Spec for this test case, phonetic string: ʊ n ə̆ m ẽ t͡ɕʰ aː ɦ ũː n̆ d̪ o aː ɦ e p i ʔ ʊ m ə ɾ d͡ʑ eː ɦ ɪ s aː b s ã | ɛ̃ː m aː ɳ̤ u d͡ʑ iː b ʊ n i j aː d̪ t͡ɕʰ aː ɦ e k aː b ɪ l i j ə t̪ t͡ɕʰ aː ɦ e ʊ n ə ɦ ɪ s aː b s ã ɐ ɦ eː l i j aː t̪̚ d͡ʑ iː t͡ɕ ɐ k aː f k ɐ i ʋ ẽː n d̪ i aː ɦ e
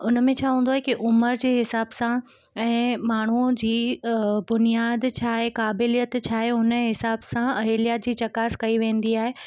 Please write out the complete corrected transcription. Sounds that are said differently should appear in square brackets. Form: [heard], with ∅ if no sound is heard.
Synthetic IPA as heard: ʊ n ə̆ m ẽ t͡ɕʰ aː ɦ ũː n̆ d̪ o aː ɦ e [k] i ʔ ʊ m ə ɾ d͡ʑ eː ɦ ɪ s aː b s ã | ɛ̃ː m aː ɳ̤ u d͡ʑ iː b ʊ n i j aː d̪ t͡ɕʰ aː ɦ e k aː b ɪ l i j ə t̪ t͡ɕʰ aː ɦ e ʊ n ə ɦ ɪ s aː b s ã ɐ ɦ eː l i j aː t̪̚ d͡ʑ iː t͡ɕ ɐ k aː [s] k ɐ i ʋ ẽː n d̪ i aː ɦ e